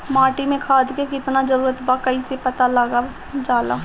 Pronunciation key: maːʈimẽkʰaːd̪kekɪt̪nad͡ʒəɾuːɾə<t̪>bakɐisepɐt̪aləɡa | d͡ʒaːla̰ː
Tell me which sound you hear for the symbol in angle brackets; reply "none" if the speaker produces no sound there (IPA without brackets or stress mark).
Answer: t̪